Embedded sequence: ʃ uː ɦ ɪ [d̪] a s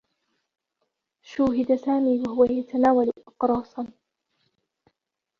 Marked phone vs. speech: correct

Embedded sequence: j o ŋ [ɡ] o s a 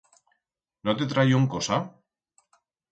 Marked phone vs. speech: incorrect: k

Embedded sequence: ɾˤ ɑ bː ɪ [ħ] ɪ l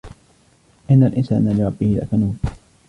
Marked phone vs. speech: incorrect: h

